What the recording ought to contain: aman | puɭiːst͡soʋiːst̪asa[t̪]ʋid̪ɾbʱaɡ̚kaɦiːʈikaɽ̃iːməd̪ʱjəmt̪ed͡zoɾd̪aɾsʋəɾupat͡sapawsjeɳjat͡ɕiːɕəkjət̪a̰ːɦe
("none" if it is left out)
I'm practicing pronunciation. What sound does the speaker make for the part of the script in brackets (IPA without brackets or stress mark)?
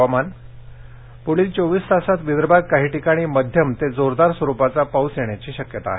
t̪